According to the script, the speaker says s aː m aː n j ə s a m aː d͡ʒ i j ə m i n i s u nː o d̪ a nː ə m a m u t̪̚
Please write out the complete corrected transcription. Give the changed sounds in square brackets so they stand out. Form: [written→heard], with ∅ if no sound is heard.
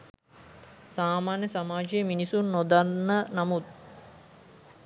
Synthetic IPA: s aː m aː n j ə s a m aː d͡ʒ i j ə m i n i s u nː o d̪ a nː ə [m→n] a m u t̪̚